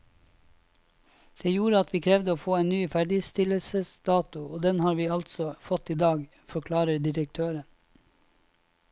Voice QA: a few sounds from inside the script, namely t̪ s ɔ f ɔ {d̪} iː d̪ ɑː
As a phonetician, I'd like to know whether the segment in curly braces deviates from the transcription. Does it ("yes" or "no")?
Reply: yes